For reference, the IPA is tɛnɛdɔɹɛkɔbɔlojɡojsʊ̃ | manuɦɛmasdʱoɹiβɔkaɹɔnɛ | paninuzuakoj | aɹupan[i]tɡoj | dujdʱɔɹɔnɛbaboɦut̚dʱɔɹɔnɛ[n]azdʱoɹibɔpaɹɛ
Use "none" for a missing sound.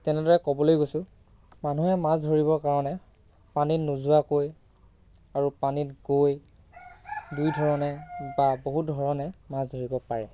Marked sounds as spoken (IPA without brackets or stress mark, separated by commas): i, m